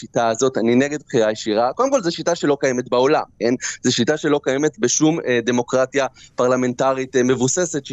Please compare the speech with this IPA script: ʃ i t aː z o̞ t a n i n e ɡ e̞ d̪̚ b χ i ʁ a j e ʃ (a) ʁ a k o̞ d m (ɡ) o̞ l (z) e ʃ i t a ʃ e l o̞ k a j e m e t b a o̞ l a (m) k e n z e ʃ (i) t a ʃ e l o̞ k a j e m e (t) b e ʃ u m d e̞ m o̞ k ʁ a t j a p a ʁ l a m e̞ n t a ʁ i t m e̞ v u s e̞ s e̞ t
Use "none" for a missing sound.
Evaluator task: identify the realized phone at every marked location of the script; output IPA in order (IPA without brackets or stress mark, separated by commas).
i, k, z, m, i, t